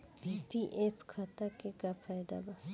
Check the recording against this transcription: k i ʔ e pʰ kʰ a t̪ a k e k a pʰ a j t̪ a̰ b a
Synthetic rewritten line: p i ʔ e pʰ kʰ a t̪ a k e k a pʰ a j d̪ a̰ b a

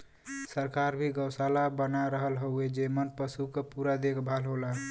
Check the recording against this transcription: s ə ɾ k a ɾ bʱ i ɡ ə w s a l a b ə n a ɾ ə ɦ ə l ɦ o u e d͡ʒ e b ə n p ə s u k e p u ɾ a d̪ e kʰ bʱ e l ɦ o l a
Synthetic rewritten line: s ə ɾ k a ɾ bʱ i ɡ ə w s a l a b ə n a ɾ ə ɦ ə l ɦ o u e d͡ʒ e m ə n p ə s u k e p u ɾ a d̪ e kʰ bʱ a l ɦ o l a

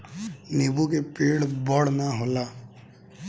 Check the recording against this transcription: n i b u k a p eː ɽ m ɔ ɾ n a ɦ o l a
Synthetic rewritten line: n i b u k e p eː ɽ b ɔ ɽ n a ɦ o l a

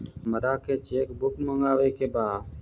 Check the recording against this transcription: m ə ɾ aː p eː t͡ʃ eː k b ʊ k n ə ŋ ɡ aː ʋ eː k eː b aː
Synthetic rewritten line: m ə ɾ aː k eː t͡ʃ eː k b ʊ k m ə ŋ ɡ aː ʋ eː k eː b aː

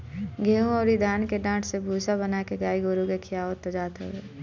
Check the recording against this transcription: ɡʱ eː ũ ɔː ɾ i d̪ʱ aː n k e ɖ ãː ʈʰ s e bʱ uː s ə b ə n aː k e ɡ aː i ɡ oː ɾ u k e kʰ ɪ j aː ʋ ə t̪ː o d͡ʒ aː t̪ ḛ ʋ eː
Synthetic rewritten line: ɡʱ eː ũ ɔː ɾ i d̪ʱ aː n k e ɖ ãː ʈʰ s e bʱ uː s a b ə n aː k e ɡ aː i ɡ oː ɾ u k e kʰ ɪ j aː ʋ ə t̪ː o d͡ʒ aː t̪ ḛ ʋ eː

